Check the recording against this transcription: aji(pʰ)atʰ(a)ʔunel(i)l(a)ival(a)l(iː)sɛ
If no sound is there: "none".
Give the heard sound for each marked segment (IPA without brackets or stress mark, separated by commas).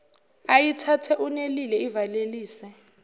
tʰ, ɛ, i, ɛ, e, iː